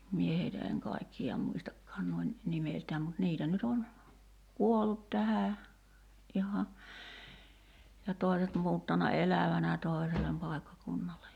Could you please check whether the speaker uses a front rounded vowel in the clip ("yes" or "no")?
yes